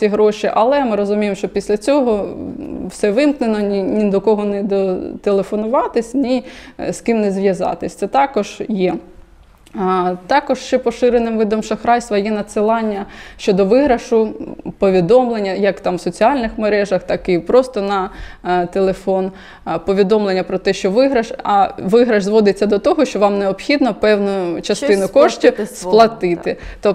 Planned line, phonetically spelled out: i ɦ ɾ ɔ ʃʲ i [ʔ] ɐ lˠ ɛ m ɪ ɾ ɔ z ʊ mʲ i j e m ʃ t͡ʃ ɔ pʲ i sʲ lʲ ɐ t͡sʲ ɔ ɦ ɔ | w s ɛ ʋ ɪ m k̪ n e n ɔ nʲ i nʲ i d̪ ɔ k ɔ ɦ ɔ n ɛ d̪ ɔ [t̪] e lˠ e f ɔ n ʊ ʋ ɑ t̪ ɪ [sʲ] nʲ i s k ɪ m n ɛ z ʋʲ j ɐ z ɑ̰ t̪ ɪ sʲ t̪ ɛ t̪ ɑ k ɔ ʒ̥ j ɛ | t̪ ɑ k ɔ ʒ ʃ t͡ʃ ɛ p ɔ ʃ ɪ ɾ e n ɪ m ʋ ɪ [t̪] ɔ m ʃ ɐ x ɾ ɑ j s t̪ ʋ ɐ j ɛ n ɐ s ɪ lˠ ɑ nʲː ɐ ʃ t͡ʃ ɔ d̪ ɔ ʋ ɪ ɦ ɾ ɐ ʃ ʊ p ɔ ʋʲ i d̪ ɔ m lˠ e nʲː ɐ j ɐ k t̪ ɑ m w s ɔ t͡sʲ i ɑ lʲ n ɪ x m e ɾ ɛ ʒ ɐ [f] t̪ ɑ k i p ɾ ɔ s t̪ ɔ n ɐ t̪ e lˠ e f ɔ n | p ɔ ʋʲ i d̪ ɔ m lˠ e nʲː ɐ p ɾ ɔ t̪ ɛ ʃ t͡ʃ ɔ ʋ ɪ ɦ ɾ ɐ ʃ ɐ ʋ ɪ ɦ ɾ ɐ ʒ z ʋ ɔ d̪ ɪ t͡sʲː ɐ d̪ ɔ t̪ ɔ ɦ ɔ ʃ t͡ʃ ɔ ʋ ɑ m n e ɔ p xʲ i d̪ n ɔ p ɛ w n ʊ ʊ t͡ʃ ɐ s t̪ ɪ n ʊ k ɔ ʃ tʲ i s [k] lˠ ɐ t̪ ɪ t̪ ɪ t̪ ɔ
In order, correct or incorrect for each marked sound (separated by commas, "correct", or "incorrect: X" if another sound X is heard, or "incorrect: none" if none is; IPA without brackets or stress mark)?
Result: correct, correct, correct, incorrect: d̪, incorrect: x, incorrect: p